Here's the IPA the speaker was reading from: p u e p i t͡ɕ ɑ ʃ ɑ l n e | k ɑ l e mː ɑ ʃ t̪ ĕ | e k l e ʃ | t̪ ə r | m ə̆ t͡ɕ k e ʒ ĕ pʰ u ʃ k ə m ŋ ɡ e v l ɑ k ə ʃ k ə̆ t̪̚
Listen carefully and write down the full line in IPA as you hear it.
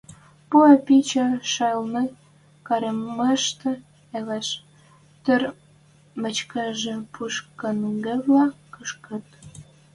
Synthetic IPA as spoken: p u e p i t͡ɕ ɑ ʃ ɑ l n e | k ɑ ɾ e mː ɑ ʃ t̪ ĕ | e l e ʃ | t̪ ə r | m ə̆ t͡ɕ k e ʒ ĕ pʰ u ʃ k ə n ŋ ɡ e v l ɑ k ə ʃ k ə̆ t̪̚